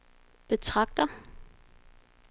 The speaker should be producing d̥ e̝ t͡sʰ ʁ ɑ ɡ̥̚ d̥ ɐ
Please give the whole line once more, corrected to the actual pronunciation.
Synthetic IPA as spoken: b̥ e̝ t͡sʰ ʁ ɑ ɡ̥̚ d̥ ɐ